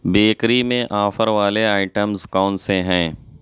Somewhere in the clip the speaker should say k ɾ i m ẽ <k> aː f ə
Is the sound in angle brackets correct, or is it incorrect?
incorrect